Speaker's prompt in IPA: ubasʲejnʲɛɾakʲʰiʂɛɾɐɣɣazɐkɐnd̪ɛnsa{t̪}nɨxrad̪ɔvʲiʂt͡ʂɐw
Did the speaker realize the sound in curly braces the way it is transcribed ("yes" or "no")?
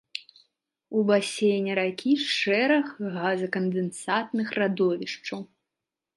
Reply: yes